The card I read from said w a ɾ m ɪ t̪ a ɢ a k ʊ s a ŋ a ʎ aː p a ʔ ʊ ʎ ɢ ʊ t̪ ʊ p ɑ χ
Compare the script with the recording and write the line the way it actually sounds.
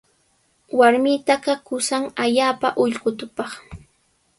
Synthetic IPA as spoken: w a ɾ m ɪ t̪ a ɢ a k ʊ s a ŋ a ʎ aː p a ʔ ʊ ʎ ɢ ʊ t̪ ʊ p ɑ χ